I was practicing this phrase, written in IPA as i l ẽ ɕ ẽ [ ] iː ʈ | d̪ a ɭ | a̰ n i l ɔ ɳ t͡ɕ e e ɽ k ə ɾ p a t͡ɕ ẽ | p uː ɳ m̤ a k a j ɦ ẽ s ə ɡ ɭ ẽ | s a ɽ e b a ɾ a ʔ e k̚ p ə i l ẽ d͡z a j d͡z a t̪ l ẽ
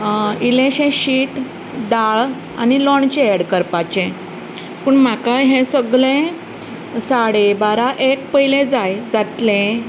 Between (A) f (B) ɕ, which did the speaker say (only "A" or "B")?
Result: B